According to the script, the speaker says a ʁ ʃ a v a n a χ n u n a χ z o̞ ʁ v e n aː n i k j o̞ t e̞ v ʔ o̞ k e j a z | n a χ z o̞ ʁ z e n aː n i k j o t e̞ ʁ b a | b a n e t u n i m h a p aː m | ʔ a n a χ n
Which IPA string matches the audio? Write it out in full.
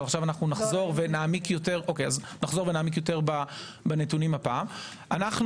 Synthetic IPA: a χ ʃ a v a n a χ n u n a χ z o̞ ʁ v e n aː m i k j o̞ t e̞ ʁ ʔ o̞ k e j a z | n a χ z o̞ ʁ v e n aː m i k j o t e̞ ʁ b a | b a n e t u n i m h a p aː m | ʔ a n a χ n

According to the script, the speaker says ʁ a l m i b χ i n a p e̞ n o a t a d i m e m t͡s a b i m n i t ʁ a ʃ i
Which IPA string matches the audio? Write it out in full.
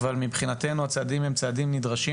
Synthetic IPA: v a l m i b χ i n a t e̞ n u a t͡s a d i m e m t͡s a d i m n i d ʁ a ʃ i

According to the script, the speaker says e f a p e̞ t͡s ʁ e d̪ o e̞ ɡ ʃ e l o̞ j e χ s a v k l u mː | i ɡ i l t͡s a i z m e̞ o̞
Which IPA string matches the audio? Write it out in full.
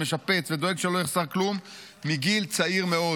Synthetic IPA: e ʃ a p e̞ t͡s v e d̪ o e̞ ɡ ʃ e l o̞ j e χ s a ʁ k l u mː | i ɡ i l t͡s a i ʁ m e̞ o̞

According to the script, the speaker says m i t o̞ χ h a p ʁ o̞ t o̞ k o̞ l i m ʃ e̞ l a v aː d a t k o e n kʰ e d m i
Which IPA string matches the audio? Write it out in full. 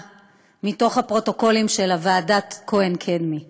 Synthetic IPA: m i t o̞ χ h a p ʁ o̞ t o̞ k o̞ l i m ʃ e̞ l a v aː d a t k o e n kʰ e d m i

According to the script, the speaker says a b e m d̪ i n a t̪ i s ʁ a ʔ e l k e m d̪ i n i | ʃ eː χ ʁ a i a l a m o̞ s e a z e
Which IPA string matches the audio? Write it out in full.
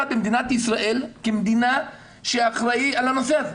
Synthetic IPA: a b e m d̪ i n a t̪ i s ʁ a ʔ e l k e m d̪ i n a | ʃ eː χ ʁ a i a l a n o̞ s e a z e

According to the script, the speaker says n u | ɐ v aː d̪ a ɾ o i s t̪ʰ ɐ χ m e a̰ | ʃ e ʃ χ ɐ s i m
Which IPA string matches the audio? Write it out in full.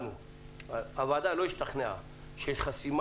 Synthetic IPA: n u | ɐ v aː d̪ a l o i ʃ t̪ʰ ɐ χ n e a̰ | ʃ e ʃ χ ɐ s i m

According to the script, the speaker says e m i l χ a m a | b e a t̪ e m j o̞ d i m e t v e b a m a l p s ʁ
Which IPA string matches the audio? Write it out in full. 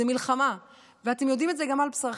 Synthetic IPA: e m i l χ a m a | v e a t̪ e m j o̞ d i m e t z e ɡ a m a l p s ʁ

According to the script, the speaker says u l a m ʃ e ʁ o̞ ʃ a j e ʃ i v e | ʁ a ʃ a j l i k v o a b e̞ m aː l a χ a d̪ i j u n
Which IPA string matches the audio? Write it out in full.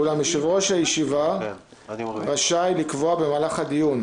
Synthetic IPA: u l a m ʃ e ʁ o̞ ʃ a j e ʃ i v a | ʁ a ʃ a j l i k v o a b e̞ m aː l a χ a d̪ i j u n

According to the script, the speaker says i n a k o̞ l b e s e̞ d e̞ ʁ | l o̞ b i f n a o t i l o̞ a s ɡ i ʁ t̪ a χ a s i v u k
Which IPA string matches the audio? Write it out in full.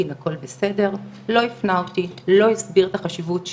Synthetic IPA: i n a k o̞ l b e s e̞ d e̞ ʁ | l o̞ i f n a o t i l o̞ i s b i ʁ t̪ a χ a ʃ i v u t

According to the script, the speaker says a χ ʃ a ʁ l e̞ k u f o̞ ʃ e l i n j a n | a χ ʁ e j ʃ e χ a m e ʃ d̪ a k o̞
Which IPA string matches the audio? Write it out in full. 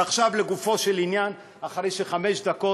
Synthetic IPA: a χ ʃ a v l e̞ ɡ u f o̞ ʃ e l i n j a n | a χ ʁ e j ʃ e χ a m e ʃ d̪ a k o̞

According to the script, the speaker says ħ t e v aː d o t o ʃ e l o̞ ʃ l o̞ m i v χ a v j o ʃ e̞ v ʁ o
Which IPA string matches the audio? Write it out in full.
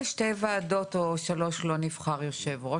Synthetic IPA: ʃ t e v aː d o t o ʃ a l o̞ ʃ l o̞ n i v χ a ʁ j o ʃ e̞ v ʁ o

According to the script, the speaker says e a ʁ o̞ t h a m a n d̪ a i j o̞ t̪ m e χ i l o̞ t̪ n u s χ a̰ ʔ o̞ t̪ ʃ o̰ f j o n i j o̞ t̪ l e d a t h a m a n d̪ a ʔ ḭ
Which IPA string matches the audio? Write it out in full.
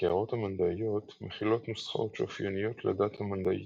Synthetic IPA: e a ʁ o̞ t h a m a n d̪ a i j o̞ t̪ m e χ i l o̞ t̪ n u s χ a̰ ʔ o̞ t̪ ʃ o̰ f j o n i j o̞ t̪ l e d a t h a m a n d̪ a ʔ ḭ

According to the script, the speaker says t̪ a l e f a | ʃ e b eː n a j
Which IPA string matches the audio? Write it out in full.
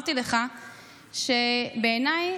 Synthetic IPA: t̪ i l e χ a | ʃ e b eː n a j

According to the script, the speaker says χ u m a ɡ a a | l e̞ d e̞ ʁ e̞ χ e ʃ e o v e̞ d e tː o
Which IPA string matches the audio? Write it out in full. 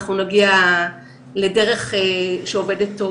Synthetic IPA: χ u n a ɡ i a | l e̞ d e̞ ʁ e̞ χ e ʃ e o v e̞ d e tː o

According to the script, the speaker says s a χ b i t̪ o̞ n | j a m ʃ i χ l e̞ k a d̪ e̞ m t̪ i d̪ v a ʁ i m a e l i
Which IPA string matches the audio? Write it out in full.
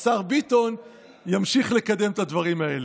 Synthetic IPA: s a ʁ b i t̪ o̞ n | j a m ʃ i χ l e̞ k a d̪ e̞ m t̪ a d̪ v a ʁ i m a e l e

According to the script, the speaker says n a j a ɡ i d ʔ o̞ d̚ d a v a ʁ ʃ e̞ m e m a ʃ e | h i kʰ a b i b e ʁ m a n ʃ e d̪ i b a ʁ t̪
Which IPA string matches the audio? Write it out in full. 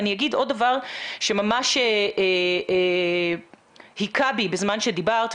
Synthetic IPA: n i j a ɡ i d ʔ o̞ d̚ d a v a ʁ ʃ e̞ m a m a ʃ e | h i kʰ a b i b e z m a n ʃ e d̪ i b a ʁ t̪

